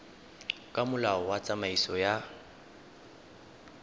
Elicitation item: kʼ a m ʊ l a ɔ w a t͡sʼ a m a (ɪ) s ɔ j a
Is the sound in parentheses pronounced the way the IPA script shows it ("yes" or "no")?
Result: no